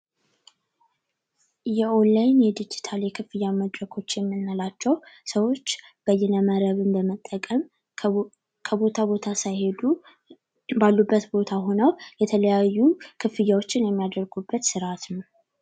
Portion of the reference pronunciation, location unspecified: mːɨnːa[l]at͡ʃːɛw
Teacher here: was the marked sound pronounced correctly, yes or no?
yes